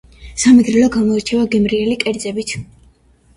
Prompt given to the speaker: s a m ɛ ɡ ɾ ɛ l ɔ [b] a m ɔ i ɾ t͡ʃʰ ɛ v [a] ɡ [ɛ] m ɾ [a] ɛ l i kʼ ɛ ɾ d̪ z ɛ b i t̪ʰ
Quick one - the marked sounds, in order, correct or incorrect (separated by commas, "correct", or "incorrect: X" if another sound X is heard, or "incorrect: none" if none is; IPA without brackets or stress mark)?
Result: incorrect: ɡ, correct, correct, incorrect: i